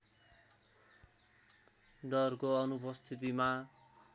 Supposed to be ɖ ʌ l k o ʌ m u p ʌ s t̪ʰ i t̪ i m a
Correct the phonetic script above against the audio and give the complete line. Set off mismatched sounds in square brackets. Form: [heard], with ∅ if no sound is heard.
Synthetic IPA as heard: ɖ ʌ [r] k o ʌ [n] u p ʌ s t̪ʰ i t̪ i m a